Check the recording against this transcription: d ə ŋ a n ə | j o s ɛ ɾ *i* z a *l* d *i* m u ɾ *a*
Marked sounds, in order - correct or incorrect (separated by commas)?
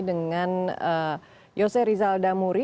correct, correct, incorrect, incorrect